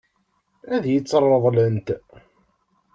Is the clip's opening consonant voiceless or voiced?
voiced